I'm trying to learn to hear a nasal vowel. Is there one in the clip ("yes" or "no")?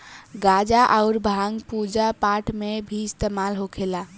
no